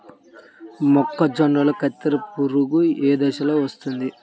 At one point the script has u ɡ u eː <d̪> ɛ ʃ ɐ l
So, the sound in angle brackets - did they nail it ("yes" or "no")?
yes